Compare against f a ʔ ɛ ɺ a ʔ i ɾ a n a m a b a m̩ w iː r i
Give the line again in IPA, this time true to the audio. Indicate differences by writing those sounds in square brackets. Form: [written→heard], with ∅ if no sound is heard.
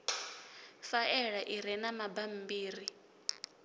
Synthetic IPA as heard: f a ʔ ɛ ɺ a ʔ i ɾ [a→ɛ] n a m a b a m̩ [w→b] iː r i